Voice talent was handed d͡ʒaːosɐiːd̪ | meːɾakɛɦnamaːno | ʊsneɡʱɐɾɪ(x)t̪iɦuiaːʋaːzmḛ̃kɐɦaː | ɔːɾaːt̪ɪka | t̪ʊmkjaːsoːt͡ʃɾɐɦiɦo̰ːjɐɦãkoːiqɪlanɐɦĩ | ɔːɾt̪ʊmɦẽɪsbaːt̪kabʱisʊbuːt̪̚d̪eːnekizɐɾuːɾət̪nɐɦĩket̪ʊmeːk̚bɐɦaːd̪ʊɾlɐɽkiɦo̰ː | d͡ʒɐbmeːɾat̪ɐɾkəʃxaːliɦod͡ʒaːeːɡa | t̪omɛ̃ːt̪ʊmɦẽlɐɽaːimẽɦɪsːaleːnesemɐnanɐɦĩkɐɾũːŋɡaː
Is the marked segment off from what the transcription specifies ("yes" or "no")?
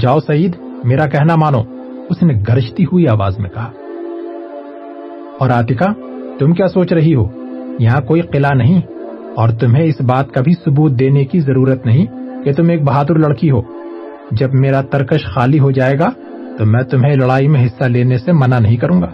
yes